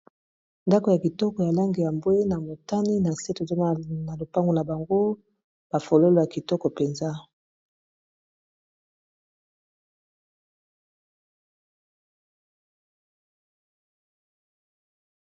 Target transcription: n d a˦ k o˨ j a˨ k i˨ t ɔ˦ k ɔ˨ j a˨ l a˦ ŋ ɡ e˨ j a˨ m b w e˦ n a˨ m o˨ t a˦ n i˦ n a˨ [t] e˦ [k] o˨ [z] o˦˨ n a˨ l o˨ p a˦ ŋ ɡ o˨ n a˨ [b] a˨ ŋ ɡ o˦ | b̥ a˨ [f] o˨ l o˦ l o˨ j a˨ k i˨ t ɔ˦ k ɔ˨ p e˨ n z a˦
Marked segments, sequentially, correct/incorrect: incorrect: s, incorrect: t, correct, correct, correct

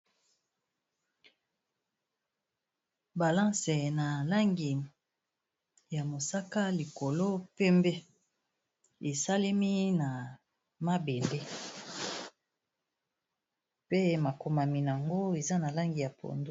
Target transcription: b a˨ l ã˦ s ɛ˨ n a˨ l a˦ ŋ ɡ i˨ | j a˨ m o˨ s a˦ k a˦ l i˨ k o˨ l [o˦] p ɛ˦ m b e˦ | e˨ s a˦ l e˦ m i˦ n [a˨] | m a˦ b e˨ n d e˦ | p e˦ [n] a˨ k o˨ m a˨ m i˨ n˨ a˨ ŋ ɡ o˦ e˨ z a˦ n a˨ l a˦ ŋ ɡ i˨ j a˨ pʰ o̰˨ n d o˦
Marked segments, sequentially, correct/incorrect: correct, correct, incorrect: m

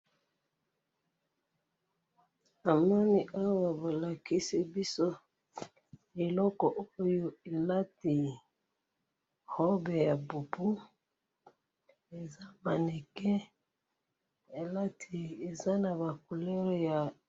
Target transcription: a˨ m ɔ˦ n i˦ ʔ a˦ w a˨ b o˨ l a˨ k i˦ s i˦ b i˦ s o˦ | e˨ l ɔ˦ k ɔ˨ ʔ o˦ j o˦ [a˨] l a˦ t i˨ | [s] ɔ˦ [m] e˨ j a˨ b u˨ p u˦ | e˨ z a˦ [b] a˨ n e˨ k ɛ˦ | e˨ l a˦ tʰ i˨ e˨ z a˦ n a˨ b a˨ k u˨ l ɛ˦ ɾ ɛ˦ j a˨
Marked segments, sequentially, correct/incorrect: incorrect: e˨, incorrect: h, incorrect: b, incorrect: m

